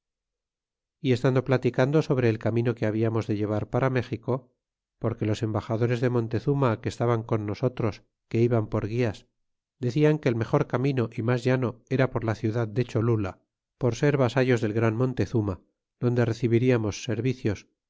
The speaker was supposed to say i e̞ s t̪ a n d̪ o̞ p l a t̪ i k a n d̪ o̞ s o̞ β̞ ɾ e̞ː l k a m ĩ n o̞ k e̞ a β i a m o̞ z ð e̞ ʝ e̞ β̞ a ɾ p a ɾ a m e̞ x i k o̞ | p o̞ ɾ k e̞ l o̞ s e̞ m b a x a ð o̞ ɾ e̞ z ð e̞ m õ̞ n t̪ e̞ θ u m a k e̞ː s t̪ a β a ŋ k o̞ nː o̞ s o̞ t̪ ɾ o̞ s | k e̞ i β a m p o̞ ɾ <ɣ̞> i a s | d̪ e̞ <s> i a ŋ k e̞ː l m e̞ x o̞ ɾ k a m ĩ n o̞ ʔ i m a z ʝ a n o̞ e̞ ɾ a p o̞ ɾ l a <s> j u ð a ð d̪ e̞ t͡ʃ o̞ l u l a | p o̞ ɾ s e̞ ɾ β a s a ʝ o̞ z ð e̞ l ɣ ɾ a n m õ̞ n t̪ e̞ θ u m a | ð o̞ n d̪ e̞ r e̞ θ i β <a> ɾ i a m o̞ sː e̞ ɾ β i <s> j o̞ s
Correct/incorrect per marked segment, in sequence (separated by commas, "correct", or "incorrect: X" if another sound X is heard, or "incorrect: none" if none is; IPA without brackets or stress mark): correct, incorrect: θ, incorrect: θ, incorrect: i, incorrect: θ